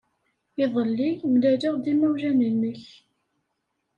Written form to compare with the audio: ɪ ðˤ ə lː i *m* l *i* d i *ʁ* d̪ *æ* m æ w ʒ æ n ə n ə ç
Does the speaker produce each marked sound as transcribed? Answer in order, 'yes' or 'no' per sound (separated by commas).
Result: yes, no, yes, no